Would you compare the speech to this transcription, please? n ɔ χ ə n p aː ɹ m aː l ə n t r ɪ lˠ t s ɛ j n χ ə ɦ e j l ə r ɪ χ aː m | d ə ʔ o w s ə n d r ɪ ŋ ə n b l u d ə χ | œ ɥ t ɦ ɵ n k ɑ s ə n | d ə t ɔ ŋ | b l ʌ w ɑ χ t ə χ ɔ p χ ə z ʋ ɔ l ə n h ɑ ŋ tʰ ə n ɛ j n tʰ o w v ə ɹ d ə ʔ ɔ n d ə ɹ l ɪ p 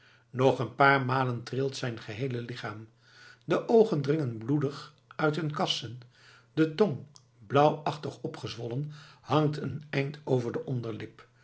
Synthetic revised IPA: n ɔ χ ə n p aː ɹ m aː l ə n t r ɪ lˠ t s ɛ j n χ ə ɦ e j l ə l ɪ χ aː m | d ə ʔ o w χ ə n d r ɪ ŋ ə n b l u d ə χ | œ ɥ t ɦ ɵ n k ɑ s ə n | d ə t ɔ ŋ | b l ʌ w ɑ χ t ə χ ɔ p χ ə z ʋ ɔ l ə n h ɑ ŋ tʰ ə n ɛ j n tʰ o w v ə ɹ d ə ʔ ɔ n d ə ɹ l ɪ p